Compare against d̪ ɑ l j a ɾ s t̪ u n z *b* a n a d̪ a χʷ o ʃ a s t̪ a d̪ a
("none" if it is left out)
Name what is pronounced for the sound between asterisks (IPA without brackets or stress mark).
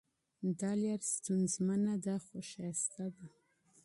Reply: m